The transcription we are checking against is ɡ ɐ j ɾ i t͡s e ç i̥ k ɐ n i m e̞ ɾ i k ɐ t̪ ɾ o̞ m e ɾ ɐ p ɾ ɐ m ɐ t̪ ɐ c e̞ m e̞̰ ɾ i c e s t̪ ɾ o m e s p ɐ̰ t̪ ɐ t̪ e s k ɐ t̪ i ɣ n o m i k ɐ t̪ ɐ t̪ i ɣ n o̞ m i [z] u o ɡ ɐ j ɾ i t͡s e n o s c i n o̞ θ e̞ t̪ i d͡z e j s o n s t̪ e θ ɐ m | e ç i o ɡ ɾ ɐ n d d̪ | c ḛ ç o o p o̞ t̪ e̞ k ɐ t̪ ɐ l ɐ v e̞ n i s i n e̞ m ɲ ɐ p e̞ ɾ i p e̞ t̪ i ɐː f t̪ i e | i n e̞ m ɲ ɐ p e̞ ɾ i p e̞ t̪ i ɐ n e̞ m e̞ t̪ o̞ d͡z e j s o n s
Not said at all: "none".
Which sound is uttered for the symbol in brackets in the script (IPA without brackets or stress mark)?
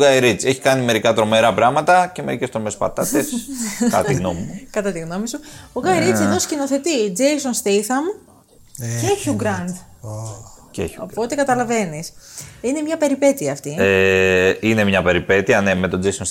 s